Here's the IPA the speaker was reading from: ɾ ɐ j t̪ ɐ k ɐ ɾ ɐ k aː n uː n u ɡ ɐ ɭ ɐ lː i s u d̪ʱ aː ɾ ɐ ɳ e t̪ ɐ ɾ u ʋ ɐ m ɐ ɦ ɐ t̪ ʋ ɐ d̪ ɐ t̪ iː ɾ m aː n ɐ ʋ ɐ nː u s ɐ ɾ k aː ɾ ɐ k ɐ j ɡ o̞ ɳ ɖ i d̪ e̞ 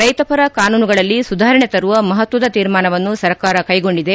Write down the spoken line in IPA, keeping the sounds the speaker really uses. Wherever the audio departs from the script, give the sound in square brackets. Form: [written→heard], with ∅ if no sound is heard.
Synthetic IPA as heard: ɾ ɐ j t̪ ɐ [k→p] ɐ ɾ ɐ k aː n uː n u ɡ ɐ ɭ ɐ lː i s u d̪ʱ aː ɾ ɐ ɳ e t̪ ɐ ɾ u ʋ ɐ m ɐ ɦ ɐ t̪ ʋ ɐ d̪ ɐ t̪ iː ɾ m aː n ɐ ʋ ɐ nː u s ɐ ɾ k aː ɾ ɐ k ɐ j ɡ o̞ ɳ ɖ i d̪ e̞